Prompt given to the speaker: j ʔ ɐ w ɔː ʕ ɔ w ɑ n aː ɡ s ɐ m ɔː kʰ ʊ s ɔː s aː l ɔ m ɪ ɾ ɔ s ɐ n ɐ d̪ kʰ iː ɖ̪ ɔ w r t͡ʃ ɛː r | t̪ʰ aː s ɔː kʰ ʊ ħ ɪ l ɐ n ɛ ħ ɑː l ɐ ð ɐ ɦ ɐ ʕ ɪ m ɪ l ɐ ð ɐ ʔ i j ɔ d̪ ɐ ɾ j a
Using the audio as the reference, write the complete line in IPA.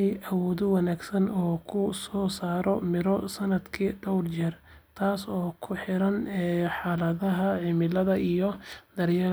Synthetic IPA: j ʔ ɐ w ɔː ð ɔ w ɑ n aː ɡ s ɐ n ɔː kʰ ʊ s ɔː s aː ɾ ɔ m ɪ ɾ ɔ s ɐ n ɐ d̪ kʰ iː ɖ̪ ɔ w r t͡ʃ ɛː r | t̪ʰ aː s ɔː kʰ ʊ ħ ɪ ɾ ɐ n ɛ ħ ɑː l ɐ ð ɐ ɦ ɐ ʕ ɪ m ɪ l ɐ ð ɐ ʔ i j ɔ d̪ ɐ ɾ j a

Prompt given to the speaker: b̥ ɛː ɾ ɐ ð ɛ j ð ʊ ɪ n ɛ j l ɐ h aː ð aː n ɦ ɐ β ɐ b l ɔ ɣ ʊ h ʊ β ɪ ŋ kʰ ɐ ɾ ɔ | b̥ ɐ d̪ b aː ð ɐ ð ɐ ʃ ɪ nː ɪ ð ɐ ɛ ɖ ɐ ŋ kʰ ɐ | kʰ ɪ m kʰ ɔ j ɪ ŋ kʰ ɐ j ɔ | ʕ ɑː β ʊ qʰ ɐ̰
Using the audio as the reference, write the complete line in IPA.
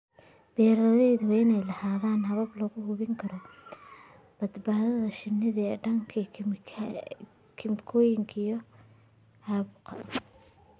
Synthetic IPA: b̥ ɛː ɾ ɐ ð ɛ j ð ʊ ɪ n ɛ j l ɐ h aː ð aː n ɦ ɐ β ɐ b l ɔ ɣ ʊ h ʊ β ɪ ŋ kʰ ɐ ɾ ɔ | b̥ ɐ d̪ b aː ð ɐ ð ɐ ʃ ɪ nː ɪ ð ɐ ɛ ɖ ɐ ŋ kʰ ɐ | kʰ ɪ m kʰ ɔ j ɪ ŋ kʰ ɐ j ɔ | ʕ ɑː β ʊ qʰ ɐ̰

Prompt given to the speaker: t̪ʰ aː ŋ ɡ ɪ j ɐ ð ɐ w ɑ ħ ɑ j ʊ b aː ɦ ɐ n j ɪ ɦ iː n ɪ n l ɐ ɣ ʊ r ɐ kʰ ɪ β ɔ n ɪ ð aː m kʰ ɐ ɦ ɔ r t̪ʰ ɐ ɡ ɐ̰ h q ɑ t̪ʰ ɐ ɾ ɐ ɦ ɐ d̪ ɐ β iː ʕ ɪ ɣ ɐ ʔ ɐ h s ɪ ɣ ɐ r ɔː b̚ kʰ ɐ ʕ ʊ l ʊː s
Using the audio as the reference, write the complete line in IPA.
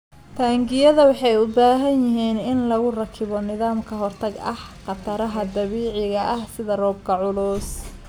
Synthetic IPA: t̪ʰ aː ŋ ɡ ɪ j ɐ ð ɐ w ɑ ħ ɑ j ʊ b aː ɦ ɐ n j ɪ ɦ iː n ɪ n l ɐ ɣ ʊ r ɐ kʰ ɪ β ɔ n ɪ ð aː m kʰ ɐ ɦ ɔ r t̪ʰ ɐ ɡ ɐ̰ h q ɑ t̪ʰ ɐ ɾ ɐ ɦ ɐ d̪ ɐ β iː ʕ ɪ ɣ ɐ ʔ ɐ h s ɪ ð ɐ r ɔː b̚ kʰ ɐ ʕ ʊ l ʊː s

